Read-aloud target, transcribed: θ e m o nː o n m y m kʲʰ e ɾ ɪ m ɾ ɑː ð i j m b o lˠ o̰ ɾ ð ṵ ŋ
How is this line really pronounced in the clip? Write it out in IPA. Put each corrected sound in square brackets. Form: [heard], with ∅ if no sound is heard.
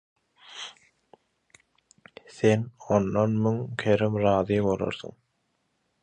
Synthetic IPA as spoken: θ e [n] o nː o n m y [ŋ] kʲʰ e ɾ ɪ m ɾ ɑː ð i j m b o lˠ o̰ ɾ [θ] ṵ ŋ